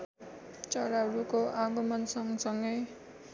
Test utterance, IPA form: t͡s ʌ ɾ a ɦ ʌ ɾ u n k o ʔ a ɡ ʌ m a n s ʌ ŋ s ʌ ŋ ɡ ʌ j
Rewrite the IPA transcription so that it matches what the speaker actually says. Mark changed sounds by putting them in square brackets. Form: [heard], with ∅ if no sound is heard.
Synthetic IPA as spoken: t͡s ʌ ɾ a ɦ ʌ ɾ u [∅] k o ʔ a ɡ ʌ m [ʌ] n s ʌ ŋ s ʌ ŋ ɡ ʌ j

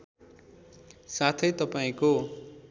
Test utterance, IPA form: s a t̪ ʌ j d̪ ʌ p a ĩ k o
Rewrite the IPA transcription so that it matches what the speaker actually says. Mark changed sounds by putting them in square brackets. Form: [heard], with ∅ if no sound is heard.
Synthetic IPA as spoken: s a [t̪ʰ] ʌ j [t̪] ʌ p a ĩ k o

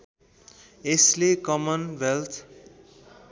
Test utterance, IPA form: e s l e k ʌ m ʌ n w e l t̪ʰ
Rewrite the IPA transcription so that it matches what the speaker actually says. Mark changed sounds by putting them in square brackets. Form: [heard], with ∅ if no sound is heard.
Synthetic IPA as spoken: e s l e k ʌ m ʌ n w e l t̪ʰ

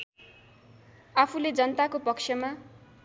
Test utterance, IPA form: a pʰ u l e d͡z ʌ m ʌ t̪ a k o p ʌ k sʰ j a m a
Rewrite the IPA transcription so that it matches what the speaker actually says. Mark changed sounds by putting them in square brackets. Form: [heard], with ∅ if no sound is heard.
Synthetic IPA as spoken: a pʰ u l e d͡z ʌ [n] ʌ t̪ a k o p ʌ k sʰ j [ʌ] m a

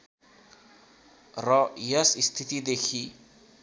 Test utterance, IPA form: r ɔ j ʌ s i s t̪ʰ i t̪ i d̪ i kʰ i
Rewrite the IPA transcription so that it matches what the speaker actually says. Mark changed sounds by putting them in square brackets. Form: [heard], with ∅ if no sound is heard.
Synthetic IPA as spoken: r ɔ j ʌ s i s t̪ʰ i t̪ i d̪ [e] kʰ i

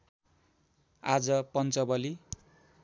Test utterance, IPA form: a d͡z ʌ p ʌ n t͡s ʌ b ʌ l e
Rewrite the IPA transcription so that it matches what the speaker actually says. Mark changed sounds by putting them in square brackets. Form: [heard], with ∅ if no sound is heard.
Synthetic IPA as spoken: a d͡z ʌ p ʌ n t͡s ʌ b ʌ l [i]

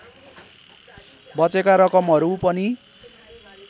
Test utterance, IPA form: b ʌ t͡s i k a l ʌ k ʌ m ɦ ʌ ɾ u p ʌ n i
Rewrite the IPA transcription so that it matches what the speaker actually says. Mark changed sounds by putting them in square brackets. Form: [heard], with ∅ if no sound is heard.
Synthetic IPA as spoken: b ʌ t͡s [e] k a [ɾ] ʌ k ʌ m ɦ ʌ ɾ u p ʌ n i

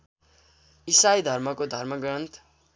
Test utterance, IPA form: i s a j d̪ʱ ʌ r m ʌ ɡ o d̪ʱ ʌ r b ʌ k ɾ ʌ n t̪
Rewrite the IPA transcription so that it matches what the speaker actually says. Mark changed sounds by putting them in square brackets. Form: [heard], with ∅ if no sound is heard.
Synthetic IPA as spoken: i s a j d̪ʱ ʌ r m ʌ [k] o d̪ʱ ʌ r [m] ʌ [ɡ] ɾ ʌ n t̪

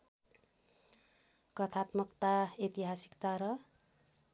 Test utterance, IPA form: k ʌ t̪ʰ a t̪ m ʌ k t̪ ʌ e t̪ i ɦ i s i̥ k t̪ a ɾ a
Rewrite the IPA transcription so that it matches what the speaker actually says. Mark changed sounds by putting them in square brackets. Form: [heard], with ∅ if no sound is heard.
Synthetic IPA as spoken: k ʌ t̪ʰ a t̪ m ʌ k t̪ [a] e t̪ i ɦ [a] s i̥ k t̪ a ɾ [ʌ]

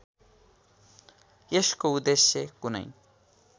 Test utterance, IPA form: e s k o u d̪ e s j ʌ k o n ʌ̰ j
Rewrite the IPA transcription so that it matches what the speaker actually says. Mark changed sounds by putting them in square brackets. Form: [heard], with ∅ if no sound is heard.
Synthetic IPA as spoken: e s k o u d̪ e s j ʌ k [u] n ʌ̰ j

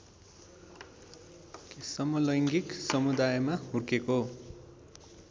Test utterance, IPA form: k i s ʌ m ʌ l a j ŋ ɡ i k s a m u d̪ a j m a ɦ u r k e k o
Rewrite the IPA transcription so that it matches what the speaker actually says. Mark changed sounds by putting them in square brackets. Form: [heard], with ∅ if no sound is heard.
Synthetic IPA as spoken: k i s ʌ m ʌ l [ʌ] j ŋ ɡ i k s [ʌ] m u d̪ a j m a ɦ u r k e k o

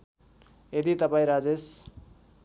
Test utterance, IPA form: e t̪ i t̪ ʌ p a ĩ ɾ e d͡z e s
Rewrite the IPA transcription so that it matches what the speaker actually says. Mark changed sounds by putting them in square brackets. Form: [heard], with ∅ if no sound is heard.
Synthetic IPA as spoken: e [d̪] i t̪ ʌ p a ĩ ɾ [a] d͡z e s

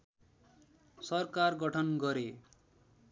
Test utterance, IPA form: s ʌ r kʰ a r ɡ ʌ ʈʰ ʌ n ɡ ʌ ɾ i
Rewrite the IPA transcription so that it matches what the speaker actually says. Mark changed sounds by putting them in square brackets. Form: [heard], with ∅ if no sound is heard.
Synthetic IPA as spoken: s ʌ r [k] a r ɡ ʌ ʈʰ ʌ n ɡ ʌ ɾ [e]

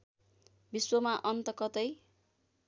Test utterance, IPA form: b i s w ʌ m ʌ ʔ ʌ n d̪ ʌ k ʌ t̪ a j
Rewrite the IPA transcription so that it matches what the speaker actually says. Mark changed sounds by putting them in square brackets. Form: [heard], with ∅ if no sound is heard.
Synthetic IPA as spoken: b i s w ʌ m [a] ʔ ʌ n [t̪] ʌ k ʌ t̪ [ʌ] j

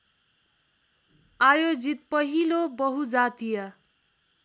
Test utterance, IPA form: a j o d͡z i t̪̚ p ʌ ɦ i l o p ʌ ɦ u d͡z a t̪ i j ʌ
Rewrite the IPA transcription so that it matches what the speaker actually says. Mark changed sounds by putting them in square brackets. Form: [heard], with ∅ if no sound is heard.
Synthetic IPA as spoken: a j o d͡z i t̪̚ p ʌ ɦ i l o [b] ʌ ɦ u d͡z a t̪ i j ʌ

